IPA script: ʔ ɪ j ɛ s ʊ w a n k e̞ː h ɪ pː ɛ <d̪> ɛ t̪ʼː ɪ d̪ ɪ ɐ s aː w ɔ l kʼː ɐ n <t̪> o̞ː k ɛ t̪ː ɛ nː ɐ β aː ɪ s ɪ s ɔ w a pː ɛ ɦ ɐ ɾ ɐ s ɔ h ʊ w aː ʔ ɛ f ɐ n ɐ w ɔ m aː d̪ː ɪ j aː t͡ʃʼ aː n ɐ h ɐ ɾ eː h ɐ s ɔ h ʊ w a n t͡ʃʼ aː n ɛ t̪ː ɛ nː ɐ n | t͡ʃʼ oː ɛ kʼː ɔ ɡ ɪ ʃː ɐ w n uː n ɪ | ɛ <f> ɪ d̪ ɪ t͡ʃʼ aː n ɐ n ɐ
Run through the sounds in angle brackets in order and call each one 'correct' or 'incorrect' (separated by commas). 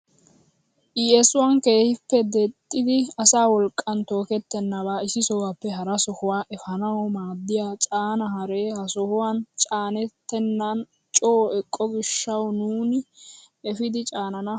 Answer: correct, correct, correct